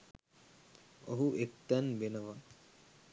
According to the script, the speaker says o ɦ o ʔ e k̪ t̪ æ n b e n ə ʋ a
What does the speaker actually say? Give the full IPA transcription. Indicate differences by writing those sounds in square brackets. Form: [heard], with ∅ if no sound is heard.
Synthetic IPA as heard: o ɦ [u] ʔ e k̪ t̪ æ n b e n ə ʋ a